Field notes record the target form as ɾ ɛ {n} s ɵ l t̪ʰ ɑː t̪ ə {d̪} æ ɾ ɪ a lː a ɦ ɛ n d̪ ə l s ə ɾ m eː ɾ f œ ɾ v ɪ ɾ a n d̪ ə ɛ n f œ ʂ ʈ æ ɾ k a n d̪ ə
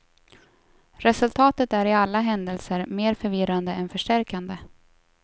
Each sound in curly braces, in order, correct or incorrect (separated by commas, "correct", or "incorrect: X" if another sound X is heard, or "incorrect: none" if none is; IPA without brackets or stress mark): incorrect: none, incorrect: t̪